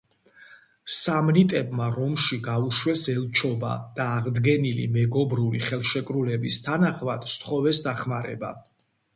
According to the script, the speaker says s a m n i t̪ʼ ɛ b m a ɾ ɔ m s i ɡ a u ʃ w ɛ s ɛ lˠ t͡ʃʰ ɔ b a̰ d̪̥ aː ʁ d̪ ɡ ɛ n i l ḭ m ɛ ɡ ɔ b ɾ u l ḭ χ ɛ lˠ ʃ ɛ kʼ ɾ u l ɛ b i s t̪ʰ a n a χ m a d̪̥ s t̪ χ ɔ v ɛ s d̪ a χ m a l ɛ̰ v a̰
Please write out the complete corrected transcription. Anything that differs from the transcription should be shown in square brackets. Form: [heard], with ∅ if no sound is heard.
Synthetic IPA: s a m n i t̪ʼ ɛ b m a ɾ ɔ m [ʃ] i ɡ a u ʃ w ɛ s ɛ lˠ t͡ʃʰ ɔ b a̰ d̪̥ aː ʁ d̪ ɡ ɛ n i l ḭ m ɛ ɡ ɔ b ɾ u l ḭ χ ɛ lˠ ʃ ɛ kʼ ɾ u l ɛ b i s t̪ʰ a n a χ m a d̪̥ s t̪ χ ɔ v ɛ s d̪ a χ m a [ɾ] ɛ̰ [b] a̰